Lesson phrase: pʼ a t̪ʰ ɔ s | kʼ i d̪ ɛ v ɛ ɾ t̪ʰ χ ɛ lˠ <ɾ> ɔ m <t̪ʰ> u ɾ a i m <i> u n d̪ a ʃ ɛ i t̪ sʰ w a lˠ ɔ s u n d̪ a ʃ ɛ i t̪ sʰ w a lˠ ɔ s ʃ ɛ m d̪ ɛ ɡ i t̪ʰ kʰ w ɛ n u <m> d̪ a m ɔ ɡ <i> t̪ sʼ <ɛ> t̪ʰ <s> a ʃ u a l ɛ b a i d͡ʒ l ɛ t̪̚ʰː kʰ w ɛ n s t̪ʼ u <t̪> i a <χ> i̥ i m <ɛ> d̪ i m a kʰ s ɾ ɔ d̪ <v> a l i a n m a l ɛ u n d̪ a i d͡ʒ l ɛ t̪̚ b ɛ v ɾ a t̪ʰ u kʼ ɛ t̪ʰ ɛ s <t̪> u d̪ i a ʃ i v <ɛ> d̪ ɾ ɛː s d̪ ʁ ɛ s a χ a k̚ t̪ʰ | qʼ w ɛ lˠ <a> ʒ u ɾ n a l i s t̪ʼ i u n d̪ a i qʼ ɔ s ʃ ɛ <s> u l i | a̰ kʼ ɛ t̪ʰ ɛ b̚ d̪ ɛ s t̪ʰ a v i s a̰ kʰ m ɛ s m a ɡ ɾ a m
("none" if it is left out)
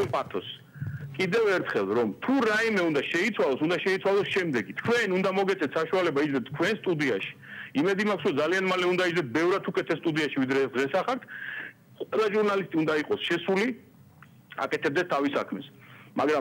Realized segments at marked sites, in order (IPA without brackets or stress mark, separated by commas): ɾ, t̪ʰ, ɛ, n, ɛ, ɛ, s, d̪, ʃ, ɛ, z, t̪ʼ, i, a, s